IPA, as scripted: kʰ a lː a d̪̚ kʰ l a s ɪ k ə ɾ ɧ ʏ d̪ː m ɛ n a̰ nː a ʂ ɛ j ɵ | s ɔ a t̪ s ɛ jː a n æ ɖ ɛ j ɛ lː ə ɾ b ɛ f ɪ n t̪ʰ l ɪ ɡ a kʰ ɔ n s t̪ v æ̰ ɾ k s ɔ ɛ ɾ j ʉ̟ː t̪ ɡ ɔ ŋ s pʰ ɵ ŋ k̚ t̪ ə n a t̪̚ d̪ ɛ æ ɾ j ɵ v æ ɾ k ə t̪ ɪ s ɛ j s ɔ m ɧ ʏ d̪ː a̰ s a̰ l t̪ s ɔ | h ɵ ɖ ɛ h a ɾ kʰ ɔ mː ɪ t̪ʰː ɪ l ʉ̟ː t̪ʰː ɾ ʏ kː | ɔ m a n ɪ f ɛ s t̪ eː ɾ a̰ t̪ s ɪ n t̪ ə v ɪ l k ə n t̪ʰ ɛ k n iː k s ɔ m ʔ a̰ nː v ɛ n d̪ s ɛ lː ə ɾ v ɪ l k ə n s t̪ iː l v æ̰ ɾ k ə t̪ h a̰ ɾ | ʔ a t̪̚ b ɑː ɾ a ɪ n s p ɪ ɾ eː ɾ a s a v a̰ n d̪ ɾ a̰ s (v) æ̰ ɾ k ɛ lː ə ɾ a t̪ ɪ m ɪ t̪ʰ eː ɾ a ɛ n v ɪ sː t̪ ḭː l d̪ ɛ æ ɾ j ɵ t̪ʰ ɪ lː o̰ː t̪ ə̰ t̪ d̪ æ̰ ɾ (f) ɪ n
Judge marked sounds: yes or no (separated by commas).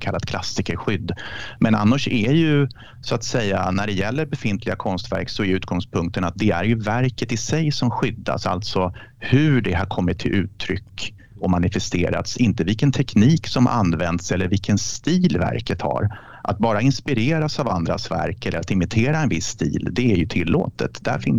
yes, yes